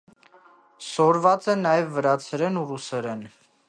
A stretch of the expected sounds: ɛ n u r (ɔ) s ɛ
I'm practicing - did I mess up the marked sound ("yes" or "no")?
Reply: yes